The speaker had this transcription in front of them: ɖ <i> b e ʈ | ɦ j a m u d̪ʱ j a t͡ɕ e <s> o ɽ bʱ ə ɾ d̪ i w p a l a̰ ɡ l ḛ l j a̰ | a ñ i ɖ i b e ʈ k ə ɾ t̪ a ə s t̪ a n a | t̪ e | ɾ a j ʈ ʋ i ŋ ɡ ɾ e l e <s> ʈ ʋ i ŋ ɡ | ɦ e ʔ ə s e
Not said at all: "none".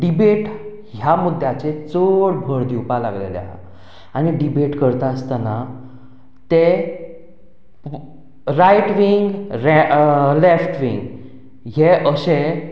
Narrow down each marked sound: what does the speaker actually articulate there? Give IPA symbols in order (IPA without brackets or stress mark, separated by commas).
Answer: i, t͡s, f